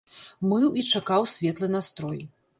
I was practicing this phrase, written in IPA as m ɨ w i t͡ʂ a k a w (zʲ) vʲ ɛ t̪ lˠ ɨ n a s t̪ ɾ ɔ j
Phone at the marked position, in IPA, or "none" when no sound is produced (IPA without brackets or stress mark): sʲ